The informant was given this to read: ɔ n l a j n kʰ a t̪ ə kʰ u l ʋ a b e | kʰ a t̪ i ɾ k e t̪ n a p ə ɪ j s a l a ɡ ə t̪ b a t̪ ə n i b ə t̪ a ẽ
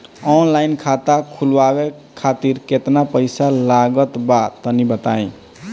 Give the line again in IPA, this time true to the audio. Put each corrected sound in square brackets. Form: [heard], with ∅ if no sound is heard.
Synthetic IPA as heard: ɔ n l a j n kʰ a t̪ [a] kʰ u l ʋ a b e | kʰ a t̪ i ɾ k e t̪ n a p ə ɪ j s a l a ɡ ə t̪ b a t̪ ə n i b ə t̪ a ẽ